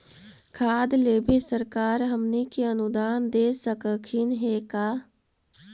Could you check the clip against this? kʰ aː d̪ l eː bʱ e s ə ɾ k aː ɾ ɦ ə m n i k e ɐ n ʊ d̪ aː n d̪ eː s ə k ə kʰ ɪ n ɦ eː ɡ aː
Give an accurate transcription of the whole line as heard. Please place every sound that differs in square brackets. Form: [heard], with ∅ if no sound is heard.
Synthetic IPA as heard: kʰ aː d̪ l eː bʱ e s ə ɾ k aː ɾ ɦ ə m n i k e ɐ n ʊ d̪ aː n d̪ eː s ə k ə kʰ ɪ n ɦ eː [k] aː